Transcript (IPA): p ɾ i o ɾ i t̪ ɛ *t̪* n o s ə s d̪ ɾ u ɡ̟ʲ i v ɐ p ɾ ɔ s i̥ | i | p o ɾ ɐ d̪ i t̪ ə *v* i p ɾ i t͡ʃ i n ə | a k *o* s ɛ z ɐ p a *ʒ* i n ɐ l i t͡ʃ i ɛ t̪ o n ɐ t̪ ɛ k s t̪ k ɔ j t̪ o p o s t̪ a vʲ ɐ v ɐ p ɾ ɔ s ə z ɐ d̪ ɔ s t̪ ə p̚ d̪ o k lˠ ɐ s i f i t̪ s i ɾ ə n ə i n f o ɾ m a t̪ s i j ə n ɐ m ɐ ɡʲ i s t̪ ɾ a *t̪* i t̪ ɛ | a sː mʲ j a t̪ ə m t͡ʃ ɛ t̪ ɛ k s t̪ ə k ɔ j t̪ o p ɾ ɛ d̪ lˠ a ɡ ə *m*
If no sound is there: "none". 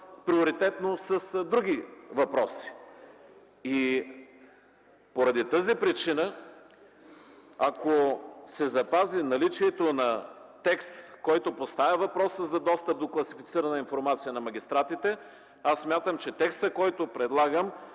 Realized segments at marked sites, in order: t̪, z, o, z, t̪, m

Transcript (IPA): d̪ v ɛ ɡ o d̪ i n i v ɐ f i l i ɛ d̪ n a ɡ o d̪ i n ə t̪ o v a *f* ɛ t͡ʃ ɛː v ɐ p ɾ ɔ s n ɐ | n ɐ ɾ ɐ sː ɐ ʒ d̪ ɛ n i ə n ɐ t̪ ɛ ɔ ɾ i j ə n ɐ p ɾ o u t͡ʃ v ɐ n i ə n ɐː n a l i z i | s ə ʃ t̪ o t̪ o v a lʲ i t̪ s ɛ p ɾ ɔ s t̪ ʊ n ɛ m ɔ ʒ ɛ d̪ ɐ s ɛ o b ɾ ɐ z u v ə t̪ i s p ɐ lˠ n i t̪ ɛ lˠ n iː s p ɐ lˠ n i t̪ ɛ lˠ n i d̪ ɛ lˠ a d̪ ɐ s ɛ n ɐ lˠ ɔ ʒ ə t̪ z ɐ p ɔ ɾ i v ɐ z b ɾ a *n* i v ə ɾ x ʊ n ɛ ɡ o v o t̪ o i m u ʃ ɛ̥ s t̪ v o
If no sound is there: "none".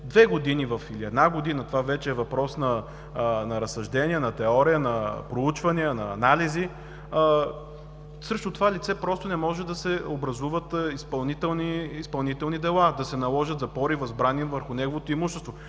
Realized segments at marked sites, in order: v, n

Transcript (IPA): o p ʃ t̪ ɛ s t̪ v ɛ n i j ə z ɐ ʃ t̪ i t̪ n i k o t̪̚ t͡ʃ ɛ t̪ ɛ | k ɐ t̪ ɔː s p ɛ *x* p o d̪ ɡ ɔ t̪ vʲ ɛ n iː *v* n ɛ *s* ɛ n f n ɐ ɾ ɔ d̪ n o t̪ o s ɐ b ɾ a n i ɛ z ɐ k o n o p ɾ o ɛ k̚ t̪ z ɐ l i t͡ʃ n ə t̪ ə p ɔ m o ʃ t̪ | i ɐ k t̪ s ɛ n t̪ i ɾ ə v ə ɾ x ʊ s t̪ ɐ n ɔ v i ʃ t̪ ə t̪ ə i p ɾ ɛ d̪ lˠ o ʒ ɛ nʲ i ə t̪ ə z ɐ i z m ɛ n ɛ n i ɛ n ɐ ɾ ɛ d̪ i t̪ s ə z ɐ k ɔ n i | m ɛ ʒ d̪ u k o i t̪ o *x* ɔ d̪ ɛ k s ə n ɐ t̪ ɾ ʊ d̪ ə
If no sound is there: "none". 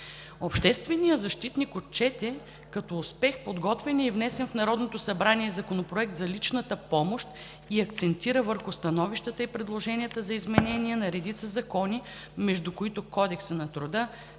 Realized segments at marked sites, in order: x, v, s, k

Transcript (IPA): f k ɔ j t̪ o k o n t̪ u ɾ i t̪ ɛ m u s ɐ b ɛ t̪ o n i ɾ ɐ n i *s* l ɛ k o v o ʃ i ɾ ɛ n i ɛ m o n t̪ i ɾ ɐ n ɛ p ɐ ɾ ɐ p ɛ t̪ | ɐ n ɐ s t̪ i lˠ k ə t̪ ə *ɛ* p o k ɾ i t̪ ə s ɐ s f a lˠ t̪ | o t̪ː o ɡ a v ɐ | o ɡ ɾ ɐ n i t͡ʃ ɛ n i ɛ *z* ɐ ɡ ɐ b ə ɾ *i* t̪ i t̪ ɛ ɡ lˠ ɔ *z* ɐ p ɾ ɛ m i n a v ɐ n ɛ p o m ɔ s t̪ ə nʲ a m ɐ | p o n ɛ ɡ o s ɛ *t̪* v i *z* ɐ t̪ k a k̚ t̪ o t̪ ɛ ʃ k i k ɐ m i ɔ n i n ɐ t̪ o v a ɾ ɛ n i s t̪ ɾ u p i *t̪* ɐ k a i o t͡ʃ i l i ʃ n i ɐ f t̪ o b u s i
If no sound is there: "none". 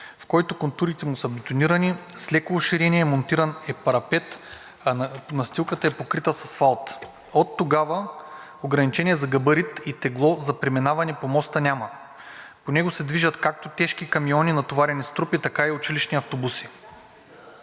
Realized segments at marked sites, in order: s, ɛ, z, i, z, d̪, ʒ, t̪

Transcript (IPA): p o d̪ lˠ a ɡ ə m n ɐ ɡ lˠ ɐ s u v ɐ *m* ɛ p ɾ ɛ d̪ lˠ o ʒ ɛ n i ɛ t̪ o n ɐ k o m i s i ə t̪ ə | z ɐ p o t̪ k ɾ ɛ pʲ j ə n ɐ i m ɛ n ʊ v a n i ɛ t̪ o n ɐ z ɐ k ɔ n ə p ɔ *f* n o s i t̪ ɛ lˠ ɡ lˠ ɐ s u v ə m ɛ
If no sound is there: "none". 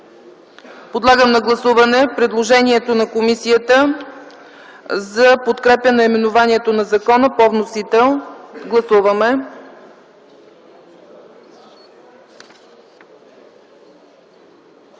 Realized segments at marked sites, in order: n, v

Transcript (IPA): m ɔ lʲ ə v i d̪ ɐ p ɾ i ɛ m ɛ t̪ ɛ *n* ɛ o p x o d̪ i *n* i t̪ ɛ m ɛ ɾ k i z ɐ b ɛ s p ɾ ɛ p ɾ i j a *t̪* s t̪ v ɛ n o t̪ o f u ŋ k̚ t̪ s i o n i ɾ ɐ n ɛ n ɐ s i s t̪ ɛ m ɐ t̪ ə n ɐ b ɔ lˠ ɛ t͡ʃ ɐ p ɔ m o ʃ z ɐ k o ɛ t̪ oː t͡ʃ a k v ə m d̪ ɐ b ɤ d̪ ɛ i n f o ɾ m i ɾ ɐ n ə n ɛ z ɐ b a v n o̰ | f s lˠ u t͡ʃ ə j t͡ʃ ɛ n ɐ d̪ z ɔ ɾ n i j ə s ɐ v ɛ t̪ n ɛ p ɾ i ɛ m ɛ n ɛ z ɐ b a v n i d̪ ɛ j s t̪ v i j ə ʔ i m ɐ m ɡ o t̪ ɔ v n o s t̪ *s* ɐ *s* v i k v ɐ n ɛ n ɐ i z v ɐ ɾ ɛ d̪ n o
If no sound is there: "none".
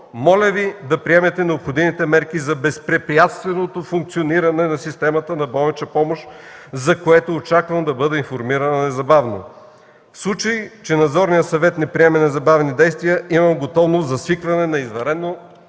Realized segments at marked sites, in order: n, m, t̪, z, s

